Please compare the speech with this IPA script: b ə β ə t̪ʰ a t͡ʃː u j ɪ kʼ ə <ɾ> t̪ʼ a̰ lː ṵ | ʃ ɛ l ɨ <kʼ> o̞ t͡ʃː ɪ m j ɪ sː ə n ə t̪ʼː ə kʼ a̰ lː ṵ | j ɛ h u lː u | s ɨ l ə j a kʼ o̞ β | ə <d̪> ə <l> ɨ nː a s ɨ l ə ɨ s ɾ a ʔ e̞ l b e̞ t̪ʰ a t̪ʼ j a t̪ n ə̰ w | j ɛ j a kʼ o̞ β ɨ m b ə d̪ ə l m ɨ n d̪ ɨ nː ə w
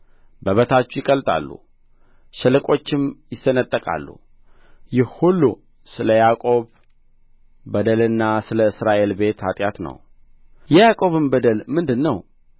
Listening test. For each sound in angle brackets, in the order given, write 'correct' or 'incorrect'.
incorrect: l, correct, correct, correct

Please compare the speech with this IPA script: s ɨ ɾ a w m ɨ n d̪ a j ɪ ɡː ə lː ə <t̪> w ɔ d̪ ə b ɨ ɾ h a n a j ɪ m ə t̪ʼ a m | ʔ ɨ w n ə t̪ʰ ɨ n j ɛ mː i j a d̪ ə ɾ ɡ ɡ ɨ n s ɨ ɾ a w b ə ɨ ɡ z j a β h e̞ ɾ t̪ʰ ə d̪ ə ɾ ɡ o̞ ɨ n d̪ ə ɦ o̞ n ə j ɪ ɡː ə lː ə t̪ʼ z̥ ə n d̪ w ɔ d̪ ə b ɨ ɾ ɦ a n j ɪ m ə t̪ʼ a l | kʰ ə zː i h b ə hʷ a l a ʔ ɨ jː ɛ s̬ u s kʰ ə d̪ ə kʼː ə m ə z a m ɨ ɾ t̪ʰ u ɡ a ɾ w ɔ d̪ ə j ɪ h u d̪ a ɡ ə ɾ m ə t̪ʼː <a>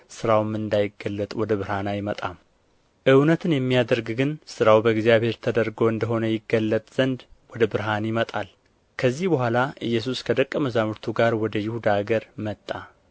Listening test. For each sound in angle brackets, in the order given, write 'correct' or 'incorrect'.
incorrect: t̪ʼ, correct

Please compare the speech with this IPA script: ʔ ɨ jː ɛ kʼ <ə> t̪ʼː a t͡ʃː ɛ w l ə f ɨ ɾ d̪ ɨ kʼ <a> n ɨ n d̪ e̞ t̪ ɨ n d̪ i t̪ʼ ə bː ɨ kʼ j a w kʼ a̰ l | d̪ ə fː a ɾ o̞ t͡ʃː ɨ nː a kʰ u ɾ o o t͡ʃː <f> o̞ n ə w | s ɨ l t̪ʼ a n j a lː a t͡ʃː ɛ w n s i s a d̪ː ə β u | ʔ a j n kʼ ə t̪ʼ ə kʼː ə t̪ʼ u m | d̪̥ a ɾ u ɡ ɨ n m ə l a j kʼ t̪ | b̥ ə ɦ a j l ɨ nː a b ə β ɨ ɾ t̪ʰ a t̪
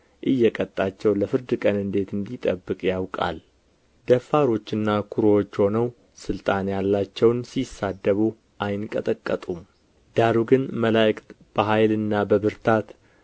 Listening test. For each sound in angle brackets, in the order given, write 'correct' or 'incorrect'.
correct, incorrect: ə, incorrect: h

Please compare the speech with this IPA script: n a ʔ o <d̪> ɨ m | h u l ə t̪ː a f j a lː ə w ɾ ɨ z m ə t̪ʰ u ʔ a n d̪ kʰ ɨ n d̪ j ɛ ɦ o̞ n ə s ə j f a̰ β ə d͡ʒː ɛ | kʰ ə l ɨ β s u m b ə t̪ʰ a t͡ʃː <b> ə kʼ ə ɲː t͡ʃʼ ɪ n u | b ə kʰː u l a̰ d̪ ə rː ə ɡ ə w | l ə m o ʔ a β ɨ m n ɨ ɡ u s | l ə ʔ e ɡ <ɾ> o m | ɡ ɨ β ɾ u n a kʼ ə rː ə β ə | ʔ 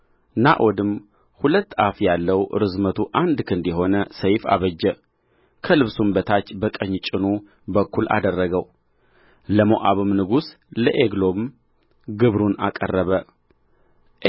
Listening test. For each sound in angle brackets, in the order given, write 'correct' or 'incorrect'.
correct, correct, incorrect: l

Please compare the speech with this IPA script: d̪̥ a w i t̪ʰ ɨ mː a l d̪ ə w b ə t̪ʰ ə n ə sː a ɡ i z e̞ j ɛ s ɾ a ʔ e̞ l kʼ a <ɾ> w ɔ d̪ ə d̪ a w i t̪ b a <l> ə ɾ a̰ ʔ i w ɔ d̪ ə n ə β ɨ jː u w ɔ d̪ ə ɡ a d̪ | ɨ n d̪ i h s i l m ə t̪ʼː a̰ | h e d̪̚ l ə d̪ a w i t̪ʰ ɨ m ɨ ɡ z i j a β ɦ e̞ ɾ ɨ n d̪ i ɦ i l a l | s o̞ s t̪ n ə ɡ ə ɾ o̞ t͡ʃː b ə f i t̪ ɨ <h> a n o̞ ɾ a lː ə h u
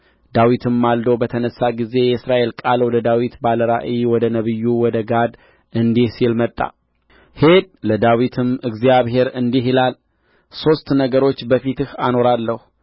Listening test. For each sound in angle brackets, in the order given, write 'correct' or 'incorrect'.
incorrect: l, correct, correct

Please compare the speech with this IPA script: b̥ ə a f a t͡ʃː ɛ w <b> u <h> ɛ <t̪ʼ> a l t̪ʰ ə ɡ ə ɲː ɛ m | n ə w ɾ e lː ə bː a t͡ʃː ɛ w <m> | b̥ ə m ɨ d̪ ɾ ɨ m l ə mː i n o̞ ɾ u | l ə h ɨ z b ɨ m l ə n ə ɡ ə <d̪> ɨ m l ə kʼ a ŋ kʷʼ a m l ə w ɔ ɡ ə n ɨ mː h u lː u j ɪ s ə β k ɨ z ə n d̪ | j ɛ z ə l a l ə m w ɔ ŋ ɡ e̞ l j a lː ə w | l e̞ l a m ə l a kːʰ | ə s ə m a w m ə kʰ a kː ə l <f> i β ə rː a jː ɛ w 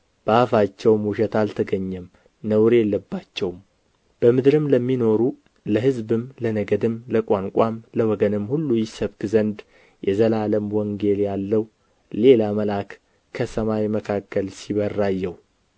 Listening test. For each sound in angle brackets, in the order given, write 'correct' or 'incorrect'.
incorrect: m, incorrect: ʃ, incorrect: t̪, correct, correct, incorrect: s

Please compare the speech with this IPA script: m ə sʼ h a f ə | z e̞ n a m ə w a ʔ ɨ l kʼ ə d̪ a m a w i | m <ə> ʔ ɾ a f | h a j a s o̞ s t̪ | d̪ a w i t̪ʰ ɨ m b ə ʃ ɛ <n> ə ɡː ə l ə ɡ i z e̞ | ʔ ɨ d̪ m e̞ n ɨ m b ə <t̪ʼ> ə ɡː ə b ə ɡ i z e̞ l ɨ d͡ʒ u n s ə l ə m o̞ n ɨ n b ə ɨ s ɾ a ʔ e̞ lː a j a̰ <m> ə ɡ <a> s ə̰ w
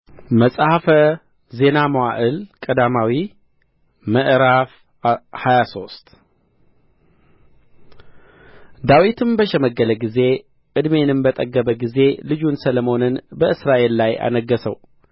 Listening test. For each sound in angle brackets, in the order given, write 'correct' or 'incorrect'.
correct, incorrect: m, correct, incorrect: n, incorrect: ə

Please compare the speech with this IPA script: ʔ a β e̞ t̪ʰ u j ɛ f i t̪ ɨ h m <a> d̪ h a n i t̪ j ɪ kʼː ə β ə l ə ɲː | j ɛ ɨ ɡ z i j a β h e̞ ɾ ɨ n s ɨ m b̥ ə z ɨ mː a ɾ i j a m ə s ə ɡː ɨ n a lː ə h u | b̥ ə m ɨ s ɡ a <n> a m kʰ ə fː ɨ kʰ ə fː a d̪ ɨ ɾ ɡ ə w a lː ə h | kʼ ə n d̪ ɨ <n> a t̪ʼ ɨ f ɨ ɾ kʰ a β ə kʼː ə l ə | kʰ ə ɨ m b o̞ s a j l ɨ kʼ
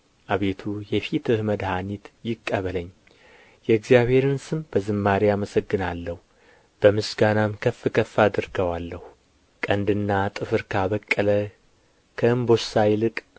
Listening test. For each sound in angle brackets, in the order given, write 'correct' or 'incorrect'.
incorrect: ə, correct, incorrect: nː

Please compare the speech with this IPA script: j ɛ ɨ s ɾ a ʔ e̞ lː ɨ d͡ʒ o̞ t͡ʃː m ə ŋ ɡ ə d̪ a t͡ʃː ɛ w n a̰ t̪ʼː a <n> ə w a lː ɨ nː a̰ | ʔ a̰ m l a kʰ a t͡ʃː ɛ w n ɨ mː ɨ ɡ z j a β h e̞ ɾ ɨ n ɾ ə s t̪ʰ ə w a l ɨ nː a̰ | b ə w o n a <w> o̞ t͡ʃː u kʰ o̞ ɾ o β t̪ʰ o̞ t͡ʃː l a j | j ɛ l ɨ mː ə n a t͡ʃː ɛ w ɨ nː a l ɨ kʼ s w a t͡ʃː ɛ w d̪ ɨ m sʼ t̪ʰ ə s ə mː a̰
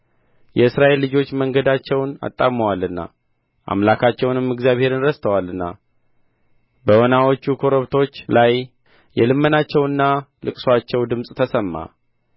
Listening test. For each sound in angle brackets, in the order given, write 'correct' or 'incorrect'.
incorrect: m, correct

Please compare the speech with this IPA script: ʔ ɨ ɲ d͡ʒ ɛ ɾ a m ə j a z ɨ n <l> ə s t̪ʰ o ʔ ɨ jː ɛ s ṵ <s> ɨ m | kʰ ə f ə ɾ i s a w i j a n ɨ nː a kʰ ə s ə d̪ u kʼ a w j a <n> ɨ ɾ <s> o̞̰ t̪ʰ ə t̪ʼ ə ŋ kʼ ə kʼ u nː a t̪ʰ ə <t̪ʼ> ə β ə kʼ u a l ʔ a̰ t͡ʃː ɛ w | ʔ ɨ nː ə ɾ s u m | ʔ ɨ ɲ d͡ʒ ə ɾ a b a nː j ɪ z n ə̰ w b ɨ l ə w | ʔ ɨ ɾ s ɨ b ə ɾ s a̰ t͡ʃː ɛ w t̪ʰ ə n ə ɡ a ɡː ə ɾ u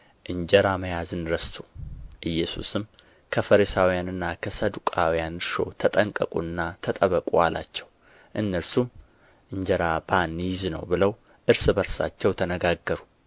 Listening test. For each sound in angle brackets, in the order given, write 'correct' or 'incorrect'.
incorrect: ɾ, correct, correct, incorrect: ʃ, correct

